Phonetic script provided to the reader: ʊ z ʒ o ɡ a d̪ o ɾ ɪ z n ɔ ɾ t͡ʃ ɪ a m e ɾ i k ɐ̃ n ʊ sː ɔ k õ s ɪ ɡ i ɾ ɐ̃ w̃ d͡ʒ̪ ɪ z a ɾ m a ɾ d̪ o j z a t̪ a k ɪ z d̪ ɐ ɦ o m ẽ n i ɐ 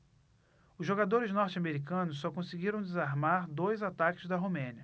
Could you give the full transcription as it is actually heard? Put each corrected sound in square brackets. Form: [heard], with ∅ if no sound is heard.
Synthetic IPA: ʊ z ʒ o ɡ a d̪ o ɾ ɪ z n ɔ ɾ t͡ʃ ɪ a m e ɾ i k ɐ̃ n ʊ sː ɔ k õ s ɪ ɡ i ɾ ɐ̃ w̃ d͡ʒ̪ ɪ z a ɾ m a ɾ d̪ o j z a t̪ a k ɪ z d̪ ɐ ɦ o m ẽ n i ɐ